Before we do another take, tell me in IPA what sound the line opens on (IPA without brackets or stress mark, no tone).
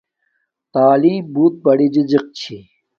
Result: t̪